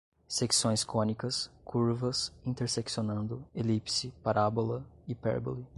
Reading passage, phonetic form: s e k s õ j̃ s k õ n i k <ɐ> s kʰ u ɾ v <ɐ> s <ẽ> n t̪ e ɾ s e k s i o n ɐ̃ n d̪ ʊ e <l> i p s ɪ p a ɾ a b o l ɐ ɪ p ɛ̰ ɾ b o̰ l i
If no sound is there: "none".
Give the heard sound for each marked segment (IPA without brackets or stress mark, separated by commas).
ɐ, ɐ, ĩ, l